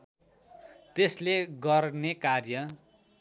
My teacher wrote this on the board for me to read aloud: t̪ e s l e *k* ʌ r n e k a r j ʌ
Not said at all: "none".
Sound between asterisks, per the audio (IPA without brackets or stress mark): ɡ